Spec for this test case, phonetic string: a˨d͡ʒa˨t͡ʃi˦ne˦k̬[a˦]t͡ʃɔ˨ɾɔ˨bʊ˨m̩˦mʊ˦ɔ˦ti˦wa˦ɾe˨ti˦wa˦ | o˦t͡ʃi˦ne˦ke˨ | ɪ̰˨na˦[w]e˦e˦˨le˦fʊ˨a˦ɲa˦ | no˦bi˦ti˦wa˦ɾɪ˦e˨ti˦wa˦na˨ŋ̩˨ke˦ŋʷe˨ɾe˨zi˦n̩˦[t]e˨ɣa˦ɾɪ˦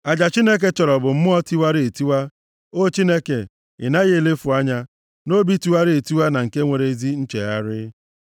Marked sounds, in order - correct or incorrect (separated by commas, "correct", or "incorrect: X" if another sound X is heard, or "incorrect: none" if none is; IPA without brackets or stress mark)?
incorrect: e˦, incorrect: ɣ, incorrect: t͡ʃ